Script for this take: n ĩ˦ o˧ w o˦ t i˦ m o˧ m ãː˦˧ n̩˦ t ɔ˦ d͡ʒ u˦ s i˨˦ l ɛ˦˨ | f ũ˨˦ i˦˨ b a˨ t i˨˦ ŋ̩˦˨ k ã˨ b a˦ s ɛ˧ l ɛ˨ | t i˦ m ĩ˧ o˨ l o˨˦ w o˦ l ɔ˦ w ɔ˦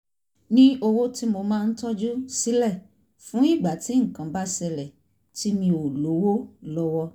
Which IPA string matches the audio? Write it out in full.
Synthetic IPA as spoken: n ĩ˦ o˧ w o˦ t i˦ m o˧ m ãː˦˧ n̩˦ t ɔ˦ d͡ʒ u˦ s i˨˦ l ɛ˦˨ | f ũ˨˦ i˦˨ ɡ͡b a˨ t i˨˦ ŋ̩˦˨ k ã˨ b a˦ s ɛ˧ l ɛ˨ | t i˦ m ĩ˧ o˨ l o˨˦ w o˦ l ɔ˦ w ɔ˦

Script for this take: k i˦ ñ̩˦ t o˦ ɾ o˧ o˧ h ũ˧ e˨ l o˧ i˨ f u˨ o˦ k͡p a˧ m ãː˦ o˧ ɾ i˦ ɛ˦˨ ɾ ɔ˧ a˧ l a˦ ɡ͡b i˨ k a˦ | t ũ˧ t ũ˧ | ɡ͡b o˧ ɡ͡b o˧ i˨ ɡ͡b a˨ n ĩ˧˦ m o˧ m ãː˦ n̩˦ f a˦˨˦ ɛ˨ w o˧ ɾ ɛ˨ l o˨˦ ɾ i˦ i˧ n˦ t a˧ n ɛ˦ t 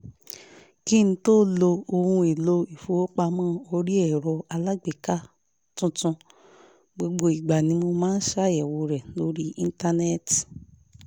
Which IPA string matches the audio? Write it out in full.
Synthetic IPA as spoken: k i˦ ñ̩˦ t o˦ l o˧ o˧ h ũ˧ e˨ l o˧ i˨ f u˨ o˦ k͡p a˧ m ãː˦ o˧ ɾ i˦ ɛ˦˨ ɾ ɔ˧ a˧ l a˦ ɡ͡b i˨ k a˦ | t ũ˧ t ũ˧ | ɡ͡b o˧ ɡ͡b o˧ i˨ ɡ͡b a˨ n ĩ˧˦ m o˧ m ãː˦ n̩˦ ʃ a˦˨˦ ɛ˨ w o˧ ɾ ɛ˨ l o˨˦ ɾ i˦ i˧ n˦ t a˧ n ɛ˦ t

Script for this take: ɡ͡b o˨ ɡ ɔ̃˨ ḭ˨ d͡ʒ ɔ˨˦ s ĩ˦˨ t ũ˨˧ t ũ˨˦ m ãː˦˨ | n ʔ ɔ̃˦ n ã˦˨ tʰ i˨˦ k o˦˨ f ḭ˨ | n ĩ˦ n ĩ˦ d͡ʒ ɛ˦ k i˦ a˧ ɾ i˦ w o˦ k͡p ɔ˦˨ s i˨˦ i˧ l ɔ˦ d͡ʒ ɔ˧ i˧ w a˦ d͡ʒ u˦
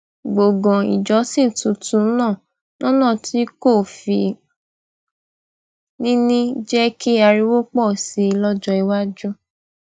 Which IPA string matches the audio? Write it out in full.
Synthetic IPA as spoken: ɡ͡b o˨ ɡ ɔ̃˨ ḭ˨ d͡ʒ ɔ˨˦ s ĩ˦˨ t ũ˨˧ t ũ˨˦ n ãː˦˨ | n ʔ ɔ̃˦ n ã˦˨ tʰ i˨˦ k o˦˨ f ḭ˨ | n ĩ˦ n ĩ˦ d͡ʒ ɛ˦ k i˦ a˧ ɾ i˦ w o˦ k͡p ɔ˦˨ s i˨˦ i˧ l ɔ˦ d͡ʒ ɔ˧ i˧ w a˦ d͡ʒ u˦

